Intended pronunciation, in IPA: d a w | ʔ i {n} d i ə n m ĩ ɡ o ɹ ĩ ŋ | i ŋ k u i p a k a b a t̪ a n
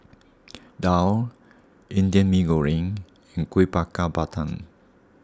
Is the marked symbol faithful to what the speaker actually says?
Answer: yes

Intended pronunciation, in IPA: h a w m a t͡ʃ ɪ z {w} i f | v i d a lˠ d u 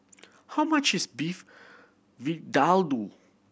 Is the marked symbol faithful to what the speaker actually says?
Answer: no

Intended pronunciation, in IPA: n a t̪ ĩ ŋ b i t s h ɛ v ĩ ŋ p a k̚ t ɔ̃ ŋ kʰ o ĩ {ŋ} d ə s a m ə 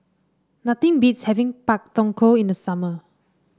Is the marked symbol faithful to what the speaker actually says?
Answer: no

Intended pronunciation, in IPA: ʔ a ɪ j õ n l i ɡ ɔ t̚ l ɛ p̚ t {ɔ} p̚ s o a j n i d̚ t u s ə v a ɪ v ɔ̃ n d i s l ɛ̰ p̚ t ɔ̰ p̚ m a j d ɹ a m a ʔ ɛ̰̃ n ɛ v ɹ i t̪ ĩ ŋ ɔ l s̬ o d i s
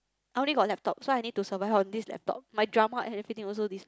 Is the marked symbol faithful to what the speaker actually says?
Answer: yes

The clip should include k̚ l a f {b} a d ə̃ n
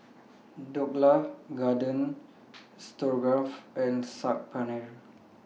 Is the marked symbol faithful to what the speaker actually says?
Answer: no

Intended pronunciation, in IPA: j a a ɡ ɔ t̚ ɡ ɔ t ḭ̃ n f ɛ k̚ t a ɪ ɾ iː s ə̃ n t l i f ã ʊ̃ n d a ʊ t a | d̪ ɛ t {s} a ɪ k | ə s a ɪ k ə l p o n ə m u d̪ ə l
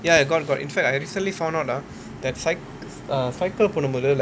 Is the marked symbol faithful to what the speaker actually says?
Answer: yes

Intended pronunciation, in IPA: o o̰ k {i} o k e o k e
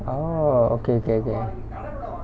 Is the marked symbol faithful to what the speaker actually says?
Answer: no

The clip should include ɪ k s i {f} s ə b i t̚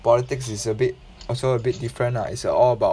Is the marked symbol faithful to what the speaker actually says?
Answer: no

